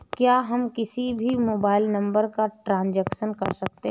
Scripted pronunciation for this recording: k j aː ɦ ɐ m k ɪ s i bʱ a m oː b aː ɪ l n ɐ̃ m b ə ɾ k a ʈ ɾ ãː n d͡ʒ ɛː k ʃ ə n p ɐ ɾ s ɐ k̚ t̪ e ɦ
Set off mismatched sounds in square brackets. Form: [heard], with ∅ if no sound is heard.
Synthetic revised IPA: k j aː ɦ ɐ m k ɪ s i bʱ [i] m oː b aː ɪ l n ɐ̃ m b ə ɾ k a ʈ ɾ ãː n d͡ʒ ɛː k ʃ ə n [k] ɐ ɾ s ɐ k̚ t̪ e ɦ